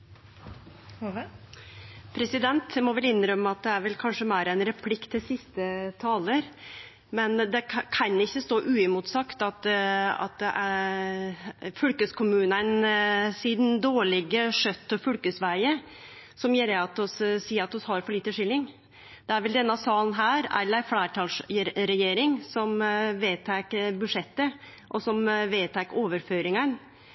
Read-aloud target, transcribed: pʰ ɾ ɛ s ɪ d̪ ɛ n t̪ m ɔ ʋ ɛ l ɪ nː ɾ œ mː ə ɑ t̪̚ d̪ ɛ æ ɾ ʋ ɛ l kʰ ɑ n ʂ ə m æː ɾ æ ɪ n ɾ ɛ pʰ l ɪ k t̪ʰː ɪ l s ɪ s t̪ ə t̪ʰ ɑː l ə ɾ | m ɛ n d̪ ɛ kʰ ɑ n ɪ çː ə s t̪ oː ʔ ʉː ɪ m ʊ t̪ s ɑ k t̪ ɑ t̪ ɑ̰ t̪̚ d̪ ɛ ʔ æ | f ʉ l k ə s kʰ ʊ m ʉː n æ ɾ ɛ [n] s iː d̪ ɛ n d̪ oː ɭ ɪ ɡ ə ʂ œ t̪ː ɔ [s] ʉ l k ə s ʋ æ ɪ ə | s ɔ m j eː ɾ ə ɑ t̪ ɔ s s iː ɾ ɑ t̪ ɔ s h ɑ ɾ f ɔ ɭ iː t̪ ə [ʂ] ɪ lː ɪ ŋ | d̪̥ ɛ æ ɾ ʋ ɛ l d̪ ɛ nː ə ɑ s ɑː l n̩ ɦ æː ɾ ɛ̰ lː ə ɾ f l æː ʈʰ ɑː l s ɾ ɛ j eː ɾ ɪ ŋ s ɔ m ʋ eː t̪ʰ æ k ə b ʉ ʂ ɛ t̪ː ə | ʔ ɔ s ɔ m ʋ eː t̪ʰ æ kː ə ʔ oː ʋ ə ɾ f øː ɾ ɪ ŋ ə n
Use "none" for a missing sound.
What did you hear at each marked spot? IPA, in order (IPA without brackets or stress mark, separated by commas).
n, f, ʂ